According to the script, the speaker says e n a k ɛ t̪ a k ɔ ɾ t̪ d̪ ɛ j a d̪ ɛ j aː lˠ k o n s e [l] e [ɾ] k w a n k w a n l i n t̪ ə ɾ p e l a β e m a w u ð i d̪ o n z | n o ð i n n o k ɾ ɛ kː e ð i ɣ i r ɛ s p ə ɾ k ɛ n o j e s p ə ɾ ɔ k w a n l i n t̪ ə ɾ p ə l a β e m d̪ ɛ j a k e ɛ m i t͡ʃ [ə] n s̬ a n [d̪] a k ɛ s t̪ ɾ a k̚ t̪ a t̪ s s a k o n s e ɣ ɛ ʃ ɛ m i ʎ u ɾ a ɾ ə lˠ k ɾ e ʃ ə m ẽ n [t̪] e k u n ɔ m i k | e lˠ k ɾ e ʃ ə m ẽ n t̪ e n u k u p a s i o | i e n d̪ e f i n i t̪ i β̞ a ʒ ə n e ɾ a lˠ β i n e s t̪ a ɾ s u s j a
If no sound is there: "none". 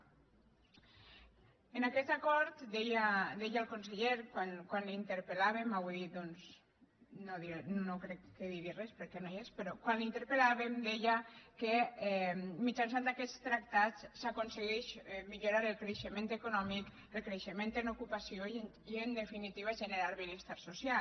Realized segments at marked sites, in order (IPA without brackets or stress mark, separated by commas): ʎ, ɾ, a, d̪, t̪